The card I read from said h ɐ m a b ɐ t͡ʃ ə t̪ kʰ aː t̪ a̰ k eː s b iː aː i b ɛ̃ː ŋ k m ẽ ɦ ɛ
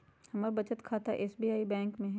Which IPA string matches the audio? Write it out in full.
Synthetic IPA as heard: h ɐ m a b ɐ t͡ʃ ə t̪ kʰ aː t̪ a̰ ʔ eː s b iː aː i b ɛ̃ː ŋ k m ẽ ɦ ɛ